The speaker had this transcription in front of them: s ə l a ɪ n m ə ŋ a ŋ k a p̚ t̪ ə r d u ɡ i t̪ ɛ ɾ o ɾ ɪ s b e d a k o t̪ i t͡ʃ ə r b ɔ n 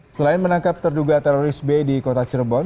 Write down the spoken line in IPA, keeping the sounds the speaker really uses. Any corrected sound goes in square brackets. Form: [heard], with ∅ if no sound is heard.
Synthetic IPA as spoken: s ə l a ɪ n m ə [n] a ŋ k a p̚ t̪ ə r d u ɡ [a] t̪ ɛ ɾ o ɾ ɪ s b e d [i] k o t̪ [a] t͡ʃ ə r b ɔ n